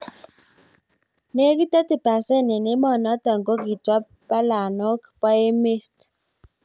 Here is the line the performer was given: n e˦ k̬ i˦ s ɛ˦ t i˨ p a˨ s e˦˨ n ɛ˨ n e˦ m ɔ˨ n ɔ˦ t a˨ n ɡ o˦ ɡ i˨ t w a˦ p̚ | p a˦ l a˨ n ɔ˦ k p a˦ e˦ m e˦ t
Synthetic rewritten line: n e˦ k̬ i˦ t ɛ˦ t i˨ p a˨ s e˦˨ n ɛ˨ n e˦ m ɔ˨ n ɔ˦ t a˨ ŋ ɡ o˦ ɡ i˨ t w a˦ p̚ | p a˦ l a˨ n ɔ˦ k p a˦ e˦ m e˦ t